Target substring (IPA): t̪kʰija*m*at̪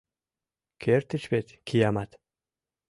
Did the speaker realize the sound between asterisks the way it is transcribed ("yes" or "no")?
yes